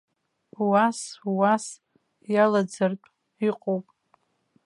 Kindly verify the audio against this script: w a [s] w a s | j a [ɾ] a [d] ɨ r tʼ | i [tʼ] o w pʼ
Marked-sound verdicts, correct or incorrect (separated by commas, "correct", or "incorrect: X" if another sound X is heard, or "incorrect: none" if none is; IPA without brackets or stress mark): correct, incorrect: l, incorrect: d͡z, incorrect: qʼ